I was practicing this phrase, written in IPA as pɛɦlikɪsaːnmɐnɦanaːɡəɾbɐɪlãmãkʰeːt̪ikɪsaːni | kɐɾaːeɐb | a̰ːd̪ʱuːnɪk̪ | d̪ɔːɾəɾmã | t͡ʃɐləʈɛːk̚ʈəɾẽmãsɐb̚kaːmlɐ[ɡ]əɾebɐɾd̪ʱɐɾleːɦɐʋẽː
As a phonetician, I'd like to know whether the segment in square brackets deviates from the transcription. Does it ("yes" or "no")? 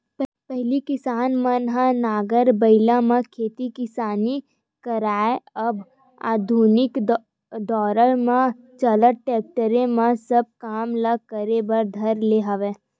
yes